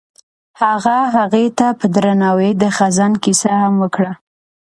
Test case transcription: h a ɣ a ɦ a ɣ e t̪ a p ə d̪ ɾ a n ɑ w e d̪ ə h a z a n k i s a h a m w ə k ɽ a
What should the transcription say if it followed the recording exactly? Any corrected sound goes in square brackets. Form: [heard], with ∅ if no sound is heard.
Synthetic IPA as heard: h a ɣ a ɦ a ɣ e t̪ a p ə d̪ ɾ a n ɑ w e d̪ ə [x] a z a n k i s a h a m w ə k ɽ a